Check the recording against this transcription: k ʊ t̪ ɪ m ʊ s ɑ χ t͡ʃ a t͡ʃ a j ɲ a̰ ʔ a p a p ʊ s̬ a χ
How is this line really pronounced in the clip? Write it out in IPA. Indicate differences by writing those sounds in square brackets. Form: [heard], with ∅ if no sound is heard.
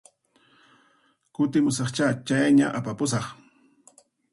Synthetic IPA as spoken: k ʊ t̪ ɪ m ʊ s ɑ χ t͡ʃ a t͡ʃ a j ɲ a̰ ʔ a p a p ʊ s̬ [ɑ] χ